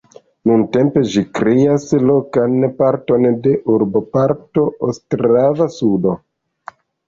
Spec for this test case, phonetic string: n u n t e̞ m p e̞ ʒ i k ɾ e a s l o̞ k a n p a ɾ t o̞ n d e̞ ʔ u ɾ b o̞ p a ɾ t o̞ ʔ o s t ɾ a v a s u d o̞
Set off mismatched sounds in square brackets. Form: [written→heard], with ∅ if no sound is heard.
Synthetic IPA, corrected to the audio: n u n t e̞ m p e̞ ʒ i k ɾ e a s l o̞ k a n p a ɾ t o̞ n d e̞ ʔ u ɾ b o̞ p a ɾ t o̞ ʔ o s t ɾ a v a s u d o̞